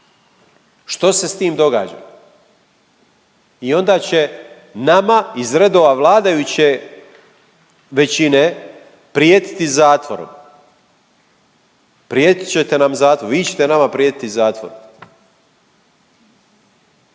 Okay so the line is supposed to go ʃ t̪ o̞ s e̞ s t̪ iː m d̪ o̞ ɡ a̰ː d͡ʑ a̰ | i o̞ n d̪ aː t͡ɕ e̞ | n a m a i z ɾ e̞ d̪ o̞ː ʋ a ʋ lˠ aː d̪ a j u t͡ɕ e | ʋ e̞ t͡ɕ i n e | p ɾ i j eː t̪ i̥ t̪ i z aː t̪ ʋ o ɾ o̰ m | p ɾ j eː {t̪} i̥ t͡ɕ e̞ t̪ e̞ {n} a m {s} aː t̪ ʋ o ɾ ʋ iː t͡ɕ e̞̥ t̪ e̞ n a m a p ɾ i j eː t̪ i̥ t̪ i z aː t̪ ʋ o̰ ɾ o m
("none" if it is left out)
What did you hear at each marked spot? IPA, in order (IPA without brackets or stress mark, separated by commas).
t̪, n, z